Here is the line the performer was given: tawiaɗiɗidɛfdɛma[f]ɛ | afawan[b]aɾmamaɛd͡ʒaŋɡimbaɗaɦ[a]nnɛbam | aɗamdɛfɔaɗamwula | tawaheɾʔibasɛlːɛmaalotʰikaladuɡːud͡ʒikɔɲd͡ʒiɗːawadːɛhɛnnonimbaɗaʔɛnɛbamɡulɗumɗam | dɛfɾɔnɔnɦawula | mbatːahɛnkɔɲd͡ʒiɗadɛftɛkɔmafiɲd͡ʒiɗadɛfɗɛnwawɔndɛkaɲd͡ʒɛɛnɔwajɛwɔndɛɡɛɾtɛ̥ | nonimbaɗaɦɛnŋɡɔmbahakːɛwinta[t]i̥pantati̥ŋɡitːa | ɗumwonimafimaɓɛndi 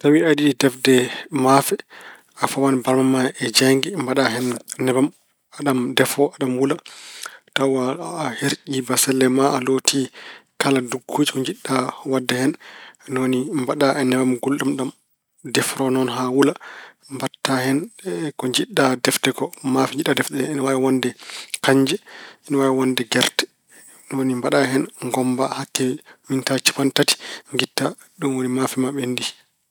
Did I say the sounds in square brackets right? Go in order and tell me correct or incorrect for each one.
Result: correct, correct, incorrect, incorrect

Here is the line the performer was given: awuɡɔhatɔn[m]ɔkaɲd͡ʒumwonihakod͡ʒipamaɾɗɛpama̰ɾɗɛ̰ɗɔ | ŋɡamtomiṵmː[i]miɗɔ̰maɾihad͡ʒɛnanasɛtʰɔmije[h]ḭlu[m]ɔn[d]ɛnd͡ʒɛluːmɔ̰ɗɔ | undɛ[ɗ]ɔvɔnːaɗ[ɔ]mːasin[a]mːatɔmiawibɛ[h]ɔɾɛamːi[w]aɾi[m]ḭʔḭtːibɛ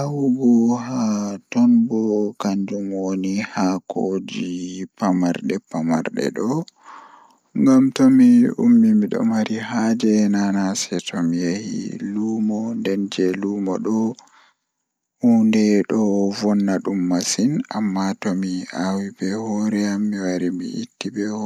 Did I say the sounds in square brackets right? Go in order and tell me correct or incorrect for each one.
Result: incorrect, correct, correct, correct, correct, correct, incorrect, correct, correct, correct, correct

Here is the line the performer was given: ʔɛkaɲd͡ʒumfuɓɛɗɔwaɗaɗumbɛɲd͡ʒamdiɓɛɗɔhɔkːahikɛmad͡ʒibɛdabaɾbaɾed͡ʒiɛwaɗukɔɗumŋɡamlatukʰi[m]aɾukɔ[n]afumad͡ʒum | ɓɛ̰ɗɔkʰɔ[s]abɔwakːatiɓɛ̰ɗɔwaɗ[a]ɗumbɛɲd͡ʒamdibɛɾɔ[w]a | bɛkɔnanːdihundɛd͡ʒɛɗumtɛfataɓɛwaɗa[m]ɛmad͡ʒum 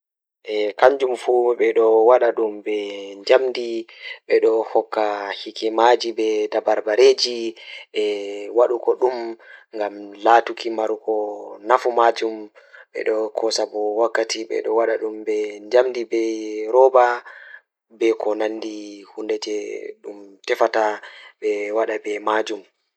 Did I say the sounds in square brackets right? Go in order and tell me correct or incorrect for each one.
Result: correct, correct, correct, correct, incorrect, incorrect

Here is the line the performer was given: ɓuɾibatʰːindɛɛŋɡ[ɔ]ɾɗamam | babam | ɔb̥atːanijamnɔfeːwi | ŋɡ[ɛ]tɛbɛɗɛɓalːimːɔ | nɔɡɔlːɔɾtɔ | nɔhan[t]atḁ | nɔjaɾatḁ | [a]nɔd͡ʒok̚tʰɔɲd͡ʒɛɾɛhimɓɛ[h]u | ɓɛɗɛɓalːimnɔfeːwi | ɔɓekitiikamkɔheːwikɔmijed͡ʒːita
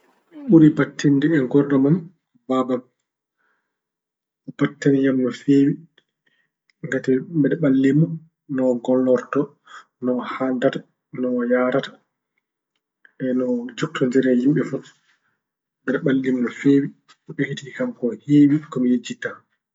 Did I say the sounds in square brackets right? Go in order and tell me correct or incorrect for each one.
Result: correct, incorrect, incorrect, incorrect, incorrect

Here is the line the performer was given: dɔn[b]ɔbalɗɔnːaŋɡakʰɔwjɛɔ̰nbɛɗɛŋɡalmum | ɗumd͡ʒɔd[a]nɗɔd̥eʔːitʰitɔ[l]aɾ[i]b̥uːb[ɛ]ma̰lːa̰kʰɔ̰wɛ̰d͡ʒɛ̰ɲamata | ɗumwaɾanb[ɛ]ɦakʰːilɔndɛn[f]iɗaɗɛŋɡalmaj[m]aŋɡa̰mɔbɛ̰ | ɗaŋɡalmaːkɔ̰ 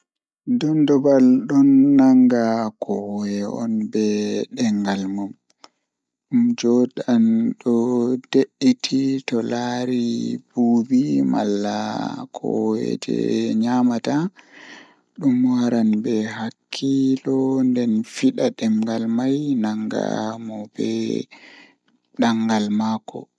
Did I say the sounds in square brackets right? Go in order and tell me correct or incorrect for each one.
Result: incorrect, correct, correct, correct, incorrect, correct, correct, incorrect

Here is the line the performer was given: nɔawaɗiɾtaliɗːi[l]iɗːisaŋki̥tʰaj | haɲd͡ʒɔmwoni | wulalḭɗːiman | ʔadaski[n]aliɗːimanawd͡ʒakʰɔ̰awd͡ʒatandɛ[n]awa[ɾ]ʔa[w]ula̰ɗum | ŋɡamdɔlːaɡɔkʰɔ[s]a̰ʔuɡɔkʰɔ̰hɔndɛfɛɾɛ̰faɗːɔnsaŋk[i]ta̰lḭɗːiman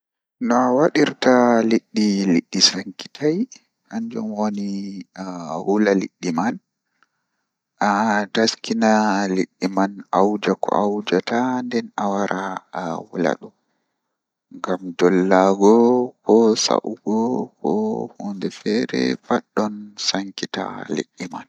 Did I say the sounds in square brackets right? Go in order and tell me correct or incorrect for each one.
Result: correct, correct, correct, correct, correct, correct, correct

